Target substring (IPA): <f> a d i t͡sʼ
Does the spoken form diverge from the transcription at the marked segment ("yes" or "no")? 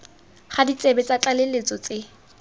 yes